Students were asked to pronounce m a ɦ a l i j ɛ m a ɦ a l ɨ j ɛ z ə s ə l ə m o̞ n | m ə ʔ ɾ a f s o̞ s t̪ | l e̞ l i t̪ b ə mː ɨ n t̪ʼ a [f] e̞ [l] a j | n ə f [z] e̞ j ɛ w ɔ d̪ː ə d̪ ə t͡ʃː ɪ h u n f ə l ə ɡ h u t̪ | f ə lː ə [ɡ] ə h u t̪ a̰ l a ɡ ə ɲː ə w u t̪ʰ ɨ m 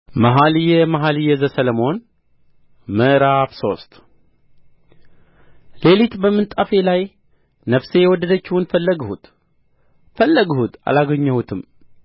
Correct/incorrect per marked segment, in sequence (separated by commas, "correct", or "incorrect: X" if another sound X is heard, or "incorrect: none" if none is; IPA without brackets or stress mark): correct, correct, incorrect: s, correct